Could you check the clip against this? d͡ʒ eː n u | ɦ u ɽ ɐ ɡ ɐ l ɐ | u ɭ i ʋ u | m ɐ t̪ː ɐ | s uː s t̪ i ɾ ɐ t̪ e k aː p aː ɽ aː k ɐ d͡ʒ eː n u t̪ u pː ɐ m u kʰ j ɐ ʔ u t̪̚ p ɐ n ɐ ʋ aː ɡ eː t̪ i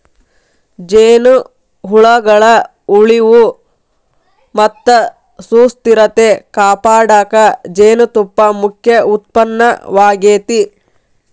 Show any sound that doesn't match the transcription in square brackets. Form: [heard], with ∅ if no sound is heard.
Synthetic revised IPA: d͡ʒ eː n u | ɦ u [ɭ] ɐ ɡ ɐ [ɭ] ɐ | u ɭ i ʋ u | m ɐ t̪ː ɐ | s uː s t̪ i ɾ ɐ t̪ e k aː p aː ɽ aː k ɐ d͡ʒ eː n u t̪ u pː ɐ m u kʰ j ɐ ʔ u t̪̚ p ɐ [nː] ɐ ʋ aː ɡ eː t̪ i